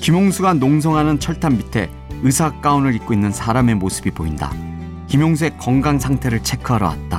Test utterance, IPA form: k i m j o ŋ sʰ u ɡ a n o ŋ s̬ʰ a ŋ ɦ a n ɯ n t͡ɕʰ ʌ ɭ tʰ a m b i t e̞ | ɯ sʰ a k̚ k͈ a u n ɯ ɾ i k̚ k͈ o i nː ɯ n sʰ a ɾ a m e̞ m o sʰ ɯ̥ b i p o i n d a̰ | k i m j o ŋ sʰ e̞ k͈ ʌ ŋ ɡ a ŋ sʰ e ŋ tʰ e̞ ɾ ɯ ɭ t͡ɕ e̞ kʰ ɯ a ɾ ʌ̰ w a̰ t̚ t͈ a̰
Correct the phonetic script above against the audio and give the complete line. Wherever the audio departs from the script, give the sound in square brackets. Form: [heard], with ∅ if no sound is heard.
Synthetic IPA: k i m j o ŋ sʰ u ɡ a n o ŋ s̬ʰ [ʌ] ŋ ɦ a n ɯ n t͡ɕʰ ʌ ɭ tʰ a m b i [tʰ] e̞ | ɯ sʰ a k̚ k͈ a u n ɯ ɾ i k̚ k͈ o i nː ɯ n sʰ a ɾ a m e̞ m o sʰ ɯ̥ b i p o i n d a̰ | k i m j o ŋ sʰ e̞ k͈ ʌ ŋ ɡ a ŋ sʰ [a] ŋ tʰ e̞ ɾ ɯ ɭ [t͡ɕʰ] e̞ kʰ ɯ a ɾ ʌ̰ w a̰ t̚ t͈ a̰